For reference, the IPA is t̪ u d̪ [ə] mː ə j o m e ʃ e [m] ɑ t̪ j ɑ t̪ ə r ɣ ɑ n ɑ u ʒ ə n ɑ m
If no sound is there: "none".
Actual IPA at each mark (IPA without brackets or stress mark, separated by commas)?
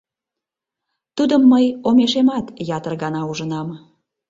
ə, m